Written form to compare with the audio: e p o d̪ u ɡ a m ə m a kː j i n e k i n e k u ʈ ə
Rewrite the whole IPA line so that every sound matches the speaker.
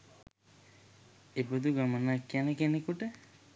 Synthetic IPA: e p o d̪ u ɡ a m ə n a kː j a n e k e n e k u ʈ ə